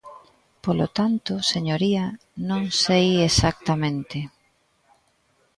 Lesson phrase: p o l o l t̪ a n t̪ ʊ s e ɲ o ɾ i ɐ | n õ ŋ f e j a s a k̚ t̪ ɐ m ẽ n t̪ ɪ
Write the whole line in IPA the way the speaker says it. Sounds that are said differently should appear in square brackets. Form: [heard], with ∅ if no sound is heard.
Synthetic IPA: p o l o [∅] t̪ a n t̪ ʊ s e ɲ o ɾ i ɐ | n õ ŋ [s] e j [e] s a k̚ t̪ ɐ m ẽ n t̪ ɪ